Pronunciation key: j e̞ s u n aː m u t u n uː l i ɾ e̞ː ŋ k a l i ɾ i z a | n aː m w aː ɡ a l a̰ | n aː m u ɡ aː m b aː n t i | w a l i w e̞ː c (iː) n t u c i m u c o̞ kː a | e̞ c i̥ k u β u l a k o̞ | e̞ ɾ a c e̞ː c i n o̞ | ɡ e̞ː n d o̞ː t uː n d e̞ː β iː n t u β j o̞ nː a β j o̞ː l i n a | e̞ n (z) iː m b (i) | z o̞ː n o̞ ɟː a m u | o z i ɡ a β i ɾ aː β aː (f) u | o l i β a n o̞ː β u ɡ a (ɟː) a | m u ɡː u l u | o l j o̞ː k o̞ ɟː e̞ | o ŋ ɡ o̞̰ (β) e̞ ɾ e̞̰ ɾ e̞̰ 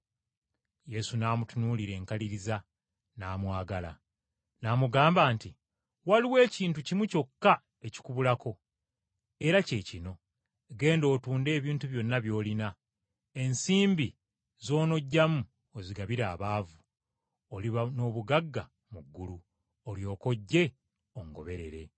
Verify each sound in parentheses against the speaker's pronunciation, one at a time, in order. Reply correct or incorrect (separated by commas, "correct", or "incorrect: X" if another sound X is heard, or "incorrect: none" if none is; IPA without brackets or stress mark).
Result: correct, incorrect: s, correct, incorrect: v, incorrect: ɡː, correct